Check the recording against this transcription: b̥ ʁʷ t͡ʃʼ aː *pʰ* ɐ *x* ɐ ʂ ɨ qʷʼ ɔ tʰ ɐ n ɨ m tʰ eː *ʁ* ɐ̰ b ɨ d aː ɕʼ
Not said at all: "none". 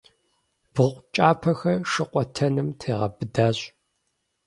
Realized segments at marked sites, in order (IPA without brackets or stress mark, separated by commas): pʰ, x, ʁ